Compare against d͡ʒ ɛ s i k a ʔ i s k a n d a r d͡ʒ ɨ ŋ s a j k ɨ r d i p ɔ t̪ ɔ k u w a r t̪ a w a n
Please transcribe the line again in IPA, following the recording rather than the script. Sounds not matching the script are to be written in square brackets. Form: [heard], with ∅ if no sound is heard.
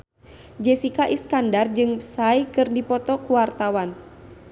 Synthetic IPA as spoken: d͡ʒ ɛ s i k a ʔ i s k a n d a r d͡ʒ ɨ ŋ s a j k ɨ r d i p ɔ t̪ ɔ k u w a r t̪ a w a n